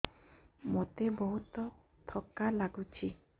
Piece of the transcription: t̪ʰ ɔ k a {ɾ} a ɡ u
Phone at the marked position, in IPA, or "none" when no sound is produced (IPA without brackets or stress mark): l